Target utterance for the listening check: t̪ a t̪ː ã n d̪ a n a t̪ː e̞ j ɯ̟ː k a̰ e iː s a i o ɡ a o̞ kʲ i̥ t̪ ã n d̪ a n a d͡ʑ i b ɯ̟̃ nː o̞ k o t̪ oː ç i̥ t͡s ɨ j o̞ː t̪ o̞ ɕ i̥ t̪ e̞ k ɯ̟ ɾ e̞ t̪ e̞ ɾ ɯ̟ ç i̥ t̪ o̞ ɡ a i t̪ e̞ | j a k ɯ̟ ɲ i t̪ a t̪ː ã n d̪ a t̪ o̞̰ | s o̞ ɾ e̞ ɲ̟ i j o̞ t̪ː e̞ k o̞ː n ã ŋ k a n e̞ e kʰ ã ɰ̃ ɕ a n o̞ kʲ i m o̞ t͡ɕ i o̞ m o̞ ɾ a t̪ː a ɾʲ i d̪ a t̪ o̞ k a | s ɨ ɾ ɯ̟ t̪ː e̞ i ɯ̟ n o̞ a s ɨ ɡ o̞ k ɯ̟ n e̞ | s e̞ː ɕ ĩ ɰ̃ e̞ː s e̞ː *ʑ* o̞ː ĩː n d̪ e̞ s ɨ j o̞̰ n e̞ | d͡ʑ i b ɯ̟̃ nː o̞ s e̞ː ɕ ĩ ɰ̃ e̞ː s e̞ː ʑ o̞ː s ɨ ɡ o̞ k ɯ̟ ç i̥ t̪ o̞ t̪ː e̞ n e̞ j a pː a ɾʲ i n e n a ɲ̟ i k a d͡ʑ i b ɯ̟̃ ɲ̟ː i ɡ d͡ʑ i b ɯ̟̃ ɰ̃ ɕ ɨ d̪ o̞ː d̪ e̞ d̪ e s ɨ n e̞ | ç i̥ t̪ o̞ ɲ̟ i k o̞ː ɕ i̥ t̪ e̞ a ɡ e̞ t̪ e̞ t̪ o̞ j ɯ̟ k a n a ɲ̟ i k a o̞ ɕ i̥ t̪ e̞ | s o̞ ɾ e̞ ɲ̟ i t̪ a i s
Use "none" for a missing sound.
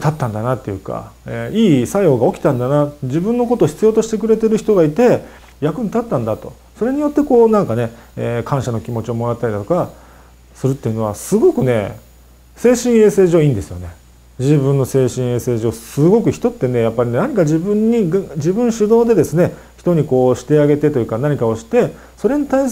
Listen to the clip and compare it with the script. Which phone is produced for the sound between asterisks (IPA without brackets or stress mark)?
ʑ